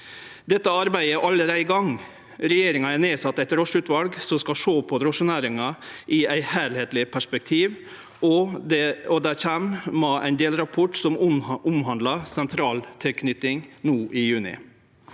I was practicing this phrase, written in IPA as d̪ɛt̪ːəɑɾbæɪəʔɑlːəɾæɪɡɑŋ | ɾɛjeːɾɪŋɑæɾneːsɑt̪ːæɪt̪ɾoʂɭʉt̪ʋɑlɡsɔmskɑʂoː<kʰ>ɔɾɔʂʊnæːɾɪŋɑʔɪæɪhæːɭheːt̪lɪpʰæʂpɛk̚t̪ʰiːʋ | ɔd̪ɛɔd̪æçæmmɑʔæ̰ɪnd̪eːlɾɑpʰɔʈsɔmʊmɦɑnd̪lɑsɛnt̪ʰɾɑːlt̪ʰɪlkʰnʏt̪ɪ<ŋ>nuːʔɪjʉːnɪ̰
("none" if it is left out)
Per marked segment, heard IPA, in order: pʰ, ŋ

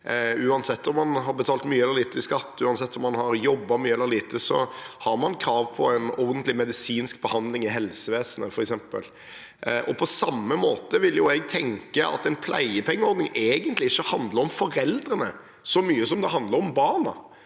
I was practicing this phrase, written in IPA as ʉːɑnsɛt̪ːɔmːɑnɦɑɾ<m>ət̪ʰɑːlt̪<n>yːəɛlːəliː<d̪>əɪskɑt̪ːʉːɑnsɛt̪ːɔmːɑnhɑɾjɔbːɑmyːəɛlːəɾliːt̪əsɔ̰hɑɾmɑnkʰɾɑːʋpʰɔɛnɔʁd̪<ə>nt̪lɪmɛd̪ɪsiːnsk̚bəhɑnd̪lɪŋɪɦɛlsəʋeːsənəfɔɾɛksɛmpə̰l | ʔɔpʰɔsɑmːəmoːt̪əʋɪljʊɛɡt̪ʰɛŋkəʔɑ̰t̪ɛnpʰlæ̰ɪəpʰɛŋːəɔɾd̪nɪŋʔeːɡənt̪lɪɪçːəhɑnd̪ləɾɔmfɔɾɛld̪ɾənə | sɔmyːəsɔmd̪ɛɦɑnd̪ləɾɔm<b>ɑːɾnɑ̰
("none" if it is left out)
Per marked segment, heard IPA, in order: b, m, t̪, ə, b

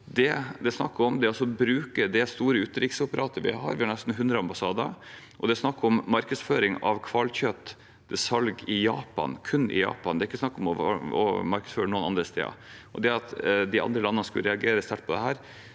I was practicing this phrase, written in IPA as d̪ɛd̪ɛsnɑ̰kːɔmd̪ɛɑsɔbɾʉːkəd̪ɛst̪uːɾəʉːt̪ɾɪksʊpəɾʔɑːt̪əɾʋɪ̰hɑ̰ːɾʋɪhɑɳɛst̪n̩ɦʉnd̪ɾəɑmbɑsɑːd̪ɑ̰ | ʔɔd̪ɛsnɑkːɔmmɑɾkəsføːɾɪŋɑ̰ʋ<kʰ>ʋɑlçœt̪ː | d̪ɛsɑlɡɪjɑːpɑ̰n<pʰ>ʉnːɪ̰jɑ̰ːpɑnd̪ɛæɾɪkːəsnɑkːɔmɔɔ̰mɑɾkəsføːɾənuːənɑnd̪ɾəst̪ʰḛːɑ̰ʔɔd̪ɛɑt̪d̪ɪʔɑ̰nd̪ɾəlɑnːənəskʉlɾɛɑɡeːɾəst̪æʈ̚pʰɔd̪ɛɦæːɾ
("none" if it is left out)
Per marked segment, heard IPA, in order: kʰ, kʰ

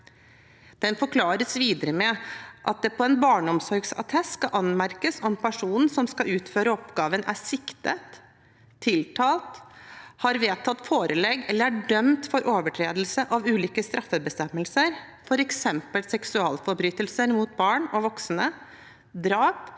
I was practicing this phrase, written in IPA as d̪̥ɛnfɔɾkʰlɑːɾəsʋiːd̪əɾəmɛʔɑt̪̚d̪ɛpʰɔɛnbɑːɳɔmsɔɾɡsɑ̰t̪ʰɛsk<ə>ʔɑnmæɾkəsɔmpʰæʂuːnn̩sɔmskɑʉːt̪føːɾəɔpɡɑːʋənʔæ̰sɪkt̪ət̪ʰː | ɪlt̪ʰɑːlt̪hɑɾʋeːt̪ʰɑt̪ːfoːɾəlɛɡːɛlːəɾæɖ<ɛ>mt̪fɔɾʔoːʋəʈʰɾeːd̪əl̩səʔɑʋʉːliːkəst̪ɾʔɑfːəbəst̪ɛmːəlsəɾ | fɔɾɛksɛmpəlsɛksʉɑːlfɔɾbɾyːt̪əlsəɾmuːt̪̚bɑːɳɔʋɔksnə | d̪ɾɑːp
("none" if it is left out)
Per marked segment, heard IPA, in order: ɑ, œ

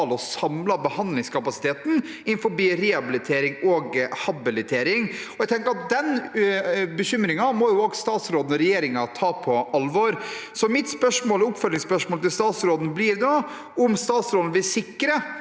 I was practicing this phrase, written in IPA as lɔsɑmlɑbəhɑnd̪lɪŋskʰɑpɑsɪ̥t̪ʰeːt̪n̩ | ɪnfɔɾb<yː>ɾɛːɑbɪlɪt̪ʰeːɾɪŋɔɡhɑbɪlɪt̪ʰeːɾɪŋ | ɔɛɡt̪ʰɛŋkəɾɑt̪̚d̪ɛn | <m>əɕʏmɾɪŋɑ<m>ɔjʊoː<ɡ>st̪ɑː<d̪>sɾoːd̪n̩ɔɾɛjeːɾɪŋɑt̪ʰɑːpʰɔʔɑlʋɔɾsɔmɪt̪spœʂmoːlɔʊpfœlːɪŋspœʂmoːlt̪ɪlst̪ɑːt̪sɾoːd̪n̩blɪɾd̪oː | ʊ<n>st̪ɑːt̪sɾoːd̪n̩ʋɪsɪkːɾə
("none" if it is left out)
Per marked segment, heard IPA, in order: iː, b, m, ɡ, t̪, m

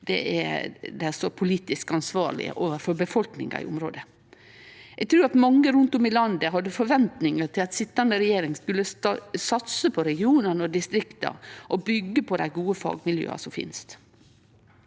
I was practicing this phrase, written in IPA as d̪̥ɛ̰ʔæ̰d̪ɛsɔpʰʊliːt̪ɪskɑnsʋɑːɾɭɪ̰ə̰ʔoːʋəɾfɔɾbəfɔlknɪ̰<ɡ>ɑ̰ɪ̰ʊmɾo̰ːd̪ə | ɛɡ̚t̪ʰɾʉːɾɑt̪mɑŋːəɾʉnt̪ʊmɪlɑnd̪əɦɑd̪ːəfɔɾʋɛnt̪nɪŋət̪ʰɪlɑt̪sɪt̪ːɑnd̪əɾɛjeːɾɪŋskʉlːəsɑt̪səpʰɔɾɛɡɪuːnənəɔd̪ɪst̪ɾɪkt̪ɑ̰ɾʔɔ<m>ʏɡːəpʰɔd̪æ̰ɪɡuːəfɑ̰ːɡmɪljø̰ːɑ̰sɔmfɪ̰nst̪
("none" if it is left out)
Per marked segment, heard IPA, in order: ŋ, b

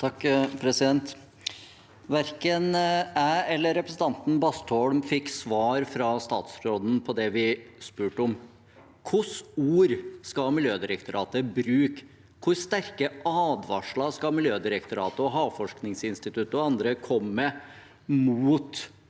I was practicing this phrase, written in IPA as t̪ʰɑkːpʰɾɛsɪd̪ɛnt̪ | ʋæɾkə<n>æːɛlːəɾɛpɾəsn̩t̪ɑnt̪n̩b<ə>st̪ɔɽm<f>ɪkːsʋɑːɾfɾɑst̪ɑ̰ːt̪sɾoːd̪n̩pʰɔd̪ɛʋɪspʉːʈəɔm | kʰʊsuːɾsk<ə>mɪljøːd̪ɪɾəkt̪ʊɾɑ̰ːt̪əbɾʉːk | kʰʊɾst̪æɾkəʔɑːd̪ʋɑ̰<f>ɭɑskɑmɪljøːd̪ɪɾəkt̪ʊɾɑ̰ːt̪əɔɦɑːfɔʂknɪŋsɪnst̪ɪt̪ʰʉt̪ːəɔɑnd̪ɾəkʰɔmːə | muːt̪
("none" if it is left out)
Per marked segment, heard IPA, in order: n, ɑ, f, ɑ, ʂ

